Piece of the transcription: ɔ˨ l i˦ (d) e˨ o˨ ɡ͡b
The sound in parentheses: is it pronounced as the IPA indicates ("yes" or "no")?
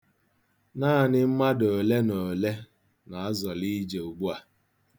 no